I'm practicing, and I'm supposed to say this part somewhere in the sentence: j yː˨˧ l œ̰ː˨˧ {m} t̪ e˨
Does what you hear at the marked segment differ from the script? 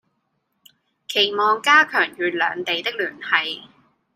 yes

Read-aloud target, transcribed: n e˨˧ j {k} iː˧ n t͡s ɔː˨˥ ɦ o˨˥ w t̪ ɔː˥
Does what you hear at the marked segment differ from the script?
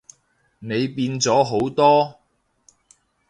yes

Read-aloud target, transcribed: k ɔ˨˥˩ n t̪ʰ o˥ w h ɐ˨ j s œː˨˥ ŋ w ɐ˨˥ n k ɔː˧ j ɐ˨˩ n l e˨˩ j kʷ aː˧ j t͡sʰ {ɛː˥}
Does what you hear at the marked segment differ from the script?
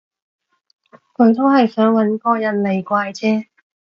no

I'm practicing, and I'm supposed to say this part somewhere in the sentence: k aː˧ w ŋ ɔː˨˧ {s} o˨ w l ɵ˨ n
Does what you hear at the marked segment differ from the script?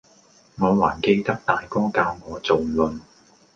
yes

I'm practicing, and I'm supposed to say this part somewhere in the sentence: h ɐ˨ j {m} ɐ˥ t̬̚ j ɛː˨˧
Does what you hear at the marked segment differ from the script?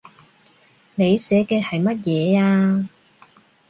no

